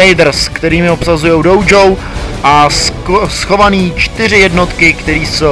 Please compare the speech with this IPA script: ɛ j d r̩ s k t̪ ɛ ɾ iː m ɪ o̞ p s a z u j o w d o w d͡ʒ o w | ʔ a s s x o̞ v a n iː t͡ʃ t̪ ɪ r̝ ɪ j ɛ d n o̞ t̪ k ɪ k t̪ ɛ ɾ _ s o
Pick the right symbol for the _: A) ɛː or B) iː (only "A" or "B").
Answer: B